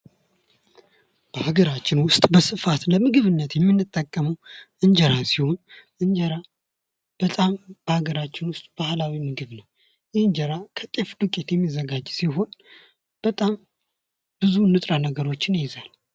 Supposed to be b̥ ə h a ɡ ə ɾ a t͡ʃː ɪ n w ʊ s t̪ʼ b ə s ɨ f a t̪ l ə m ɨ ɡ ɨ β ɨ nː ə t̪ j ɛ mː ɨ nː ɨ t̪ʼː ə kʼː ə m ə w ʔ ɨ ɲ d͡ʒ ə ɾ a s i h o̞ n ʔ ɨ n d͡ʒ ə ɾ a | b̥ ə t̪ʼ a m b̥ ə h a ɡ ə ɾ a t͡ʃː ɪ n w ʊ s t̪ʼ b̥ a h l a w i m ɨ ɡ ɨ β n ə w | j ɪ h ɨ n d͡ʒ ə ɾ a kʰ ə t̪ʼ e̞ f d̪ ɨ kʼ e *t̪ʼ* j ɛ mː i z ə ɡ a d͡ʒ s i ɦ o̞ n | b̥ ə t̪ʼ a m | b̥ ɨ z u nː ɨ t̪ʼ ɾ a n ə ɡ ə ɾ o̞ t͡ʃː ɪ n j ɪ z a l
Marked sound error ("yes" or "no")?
yes